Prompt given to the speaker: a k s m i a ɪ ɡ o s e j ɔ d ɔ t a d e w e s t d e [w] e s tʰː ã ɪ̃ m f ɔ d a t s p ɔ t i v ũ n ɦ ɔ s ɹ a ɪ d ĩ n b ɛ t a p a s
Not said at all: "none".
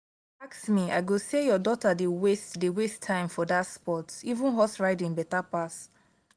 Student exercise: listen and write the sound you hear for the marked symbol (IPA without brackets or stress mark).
w